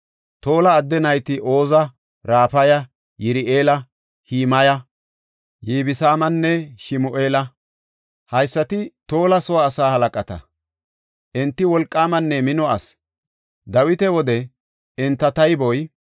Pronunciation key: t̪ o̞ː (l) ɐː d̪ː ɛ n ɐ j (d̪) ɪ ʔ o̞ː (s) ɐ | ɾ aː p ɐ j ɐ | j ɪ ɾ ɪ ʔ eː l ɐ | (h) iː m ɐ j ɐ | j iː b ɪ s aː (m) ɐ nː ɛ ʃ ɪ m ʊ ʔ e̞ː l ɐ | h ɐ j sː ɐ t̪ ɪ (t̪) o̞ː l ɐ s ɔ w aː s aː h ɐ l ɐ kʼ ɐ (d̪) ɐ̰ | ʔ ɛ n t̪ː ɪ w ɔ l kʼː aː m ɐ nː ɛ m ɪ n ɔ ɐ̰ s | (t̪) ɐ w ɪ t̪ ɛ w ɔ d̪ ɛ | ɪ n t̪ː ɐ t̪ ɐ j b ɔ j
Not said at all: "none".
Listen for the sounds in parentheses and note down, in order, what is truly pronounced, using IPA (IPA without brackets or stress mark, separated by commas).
l, t̪, z, h, m, t̪, t̪, d̪